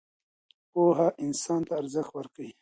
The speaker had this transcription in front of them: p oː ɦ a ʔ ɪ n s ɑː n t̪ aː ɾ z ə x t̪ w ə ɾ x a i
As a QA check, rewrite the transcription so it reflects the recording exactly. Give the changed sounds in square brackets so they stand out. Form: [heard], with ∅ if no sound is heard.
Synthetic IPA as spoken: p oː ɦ a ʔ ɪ n s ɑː n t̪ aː ɾ z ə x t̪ w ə ɾ [k] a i